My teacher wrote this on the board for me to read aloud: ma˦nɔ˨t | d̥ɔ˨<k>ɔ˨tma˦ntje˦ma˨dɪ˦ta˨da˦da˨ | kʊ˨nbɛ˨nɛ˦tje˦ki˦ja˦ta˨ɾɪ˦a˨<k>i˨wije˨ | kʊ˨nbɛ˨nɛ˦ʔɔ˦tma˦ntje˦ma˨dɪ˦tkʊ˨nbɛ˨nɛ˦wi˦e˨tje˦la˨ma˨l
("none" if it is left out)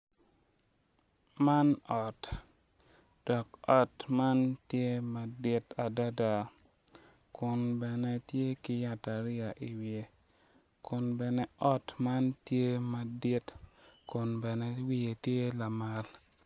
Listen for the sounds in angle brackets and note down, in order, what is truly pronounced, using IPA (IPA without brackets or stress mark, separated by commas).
k, ʔ